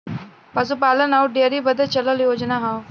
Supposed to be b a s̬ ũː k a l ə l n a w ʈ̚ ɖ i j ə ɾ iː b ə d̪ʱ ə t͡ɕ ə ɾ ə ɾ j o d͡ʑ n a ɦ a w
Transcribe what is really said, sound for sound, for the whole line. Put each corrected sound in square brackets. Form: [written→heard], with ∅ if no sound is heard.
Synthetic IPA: [b→p] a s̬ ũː [k→p] a l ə [l→∅] n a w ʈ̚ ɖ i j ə ɾ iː b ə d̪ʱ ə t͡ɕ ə [ɾ→l] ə [ɾ→l] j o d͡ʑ n a ɦ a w